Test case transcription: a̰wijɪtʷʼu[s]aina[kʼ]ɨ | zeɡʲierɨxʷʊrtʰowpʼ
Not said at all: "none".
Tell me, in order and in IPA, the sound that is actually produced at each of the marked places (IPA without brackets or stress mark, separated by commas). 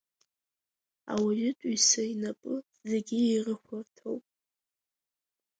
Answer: s, pʼ